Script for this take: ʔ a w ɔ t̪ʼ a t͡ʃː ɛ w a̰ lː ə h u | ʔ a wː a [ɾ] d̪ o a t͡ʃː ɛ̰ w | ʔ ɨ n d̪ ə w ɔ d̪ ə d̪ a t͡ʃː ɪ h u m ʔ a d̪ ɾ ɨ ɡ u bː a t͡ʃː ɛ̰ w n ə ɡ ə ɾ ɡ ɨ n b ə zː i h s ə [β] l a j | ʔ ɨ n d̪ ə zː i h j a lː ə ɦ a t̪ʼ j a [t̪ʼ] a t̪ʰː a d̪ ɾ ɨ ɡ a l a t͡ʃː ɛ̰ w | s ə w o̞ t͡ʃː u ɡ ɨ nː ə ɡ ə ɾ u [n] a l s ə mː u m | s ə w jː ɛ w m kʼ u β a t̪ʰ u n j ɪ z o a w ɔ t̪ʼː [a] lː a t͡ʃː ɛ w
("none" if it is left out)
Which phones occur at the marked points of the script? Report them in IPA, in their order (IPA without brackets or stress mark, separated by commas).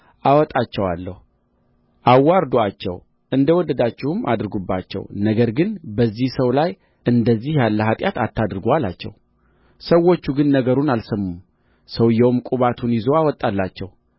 ɾ, w, t̪, n, a